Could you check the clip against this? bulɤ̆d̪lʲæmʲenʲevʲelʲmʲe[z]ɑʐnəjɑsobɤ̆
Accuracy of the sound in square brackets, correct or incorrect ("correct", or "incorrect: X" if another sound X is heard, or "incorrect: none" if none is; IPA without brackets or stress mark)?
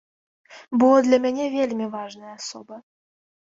incorrect: v